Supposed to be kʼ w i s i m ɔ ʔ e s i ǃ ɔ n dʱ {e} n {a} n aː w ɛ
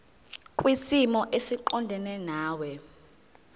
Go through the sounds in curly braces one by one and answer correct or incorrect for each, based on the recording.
incorrect: ɛ, incorrect: ɛ

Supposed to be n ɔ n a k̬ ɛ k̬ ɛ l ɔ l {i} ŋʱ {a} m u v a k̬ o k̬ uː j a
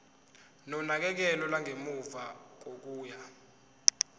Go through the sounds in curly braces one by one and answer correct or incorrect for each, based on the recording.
incorrect: a, incorrect: e

